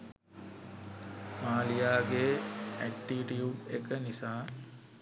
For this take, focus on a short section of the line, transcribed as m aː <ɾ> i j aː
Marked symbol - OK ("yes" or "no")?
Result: no